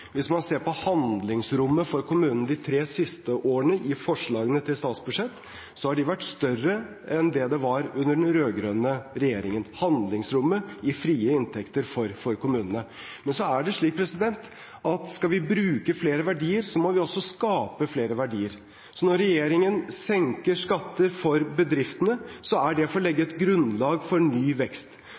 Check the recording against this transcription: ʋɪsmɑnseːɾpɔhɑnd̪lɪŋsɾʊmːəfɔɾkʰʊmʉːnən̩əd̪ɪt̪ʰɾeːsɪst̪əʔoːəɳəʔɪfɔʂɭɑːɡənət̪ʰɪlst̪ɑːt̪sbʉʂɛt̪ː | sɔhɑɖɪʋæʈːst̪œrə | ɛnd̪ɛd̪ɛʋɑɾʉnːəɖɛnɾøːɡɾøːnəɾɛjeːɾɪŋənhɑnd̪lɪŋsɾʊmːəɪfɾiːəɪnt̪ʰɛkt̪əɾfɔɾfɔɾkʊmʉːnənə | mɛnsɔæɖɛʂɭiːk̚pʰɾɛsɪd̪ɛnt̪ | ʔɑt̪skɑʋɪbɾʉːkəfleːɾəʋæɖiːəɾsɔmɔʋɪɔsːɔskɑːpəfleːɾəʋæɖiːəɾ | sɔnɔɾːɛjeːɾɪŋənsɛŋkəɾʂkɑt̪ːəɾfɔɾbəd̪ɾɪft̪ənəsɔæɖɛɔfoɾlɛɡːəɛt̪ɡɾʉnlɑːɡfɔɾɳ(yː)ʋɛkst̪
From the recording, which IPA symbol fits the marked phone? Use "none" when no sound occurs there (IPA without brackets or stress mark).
yː